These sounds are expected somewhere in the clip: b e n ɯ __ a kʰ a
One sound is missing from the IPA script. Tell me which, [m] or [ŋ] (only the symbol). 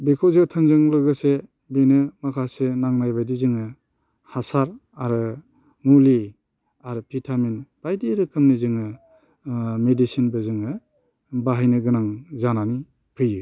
m